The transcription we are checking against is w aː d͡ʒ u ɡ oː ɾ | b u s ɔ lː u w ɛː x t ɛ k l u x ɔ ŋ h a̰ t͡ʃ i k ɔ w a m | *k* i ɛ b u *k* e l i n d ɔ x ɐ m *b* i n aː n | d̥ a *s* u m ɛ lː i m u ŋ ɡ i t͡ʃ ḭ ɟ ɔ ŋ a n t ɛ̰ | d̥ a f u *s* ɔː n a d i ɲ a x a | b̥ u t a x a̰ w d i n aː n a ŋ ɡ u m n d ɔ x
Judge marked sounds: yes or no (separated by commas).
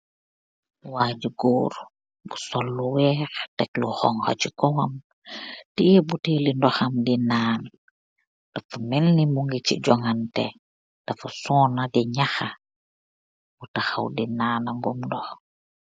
no, no, no, no, yes